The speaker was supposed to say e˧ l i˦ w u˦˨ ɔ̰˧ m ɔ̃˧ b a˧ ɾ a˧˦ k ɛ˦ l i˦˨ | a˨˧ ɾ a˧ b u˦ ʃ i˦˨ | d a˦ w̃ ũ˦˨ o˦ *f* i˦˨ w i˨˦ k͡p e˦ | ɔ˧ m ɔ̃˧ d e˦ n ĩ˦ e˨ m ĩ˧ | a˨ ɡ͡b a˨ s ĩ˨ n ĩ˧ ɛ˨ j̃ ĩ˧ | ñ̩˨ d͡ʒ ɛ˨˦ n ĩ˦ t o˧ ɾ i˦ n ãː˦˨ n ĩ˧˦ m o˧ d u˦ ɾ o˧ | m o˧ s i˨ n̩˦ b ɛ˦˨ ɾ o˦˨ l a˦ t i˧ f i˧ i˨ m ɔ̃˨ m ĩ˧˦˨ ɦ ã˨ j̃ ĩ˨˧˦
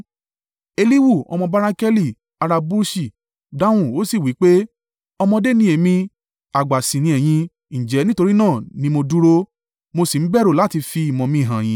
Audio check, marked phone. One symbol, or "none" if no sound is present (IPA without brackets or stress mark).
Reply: s